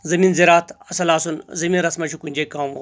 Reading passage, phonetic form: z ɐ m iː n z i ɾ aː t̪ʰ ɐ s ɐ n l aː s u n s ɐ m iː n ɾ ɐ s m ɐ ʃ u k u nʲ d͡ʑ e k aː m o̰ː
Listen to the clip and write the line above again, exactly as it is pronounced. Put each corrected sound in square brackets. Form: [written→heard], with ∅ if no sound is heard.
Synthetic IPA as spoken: z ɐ m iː n z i ɾ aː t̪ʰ ɐ s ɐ [n→∅] l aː s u n [s→z] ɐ m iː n ɾ ɐ s m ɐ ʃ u k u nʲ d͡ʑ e k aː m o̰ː